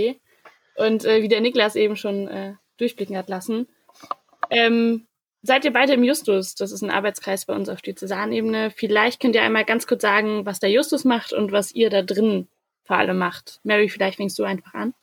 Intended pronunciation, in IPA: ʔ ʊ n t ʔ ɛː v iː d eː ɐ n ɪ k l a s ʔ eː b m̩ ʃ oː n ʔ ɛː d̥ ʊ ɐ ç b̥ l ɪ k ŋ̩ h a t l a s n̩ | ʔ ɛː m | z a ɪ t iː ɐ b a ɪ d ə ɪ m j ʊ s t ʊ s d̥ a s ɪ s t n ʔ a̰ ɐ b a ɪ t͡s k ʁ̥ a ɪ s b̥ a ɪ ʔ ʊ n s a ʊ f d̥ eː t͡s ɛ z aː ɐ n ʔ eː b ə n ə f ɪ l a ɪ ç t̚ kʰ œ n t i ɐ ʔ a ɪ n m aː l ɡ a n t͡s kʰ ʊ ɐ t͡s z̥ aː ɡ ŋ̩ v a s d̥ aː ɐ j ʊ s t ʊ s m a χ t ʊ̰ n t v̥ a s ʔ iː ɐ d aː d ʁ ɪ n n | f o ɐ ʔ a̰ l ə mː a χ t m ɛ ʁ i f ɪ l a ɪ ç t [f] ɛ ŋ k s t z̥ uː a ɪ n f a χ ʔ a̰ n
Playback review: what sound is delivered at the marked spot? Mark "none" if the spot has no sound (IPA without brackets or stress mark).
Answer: f